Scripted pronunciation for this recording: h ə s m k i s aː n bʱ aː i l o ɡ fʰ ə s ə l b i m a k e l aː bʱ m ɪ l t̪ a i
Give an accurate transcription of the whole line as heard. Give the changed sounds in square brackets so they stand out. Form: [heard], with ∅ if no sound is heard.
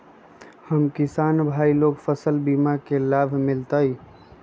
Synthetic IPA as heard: h ə [∅] m k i s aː n bʱ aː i l o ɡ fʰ ə s ə l b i m a k e l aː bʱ m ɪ l t̪ [ə] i